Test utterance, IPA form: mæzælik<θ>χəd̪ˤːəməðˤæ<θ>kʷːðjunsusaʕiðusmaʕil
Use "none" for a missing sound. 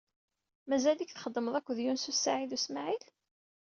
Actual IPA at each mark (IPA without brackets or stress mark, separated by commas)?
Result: θ, none